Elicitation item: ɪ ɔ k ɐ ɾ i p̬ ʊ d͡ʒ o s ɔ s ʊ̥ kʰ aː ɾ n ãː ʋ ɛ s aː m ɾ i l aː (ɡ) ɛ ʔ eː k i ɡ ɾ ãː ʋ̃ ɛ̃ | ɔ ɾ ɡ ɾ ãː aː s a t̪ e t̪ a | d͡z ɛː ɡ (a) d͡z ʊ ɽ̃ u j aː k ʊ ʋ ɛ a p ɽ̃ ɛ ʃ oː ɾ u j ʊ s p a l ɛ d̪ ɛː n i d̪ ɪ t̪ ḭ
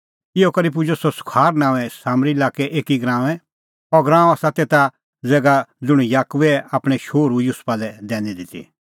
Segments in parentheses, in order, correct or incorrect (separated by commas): incorrect, correct